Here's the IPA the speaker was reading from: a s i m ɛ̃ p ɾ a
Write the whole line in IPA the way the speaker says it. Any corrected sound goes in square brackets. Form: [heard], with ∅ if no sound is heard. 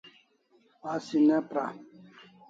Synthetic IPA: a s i [n] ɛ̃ p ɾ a